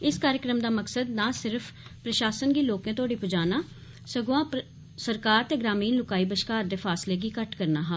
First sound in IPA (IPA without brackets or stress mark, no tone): ɪ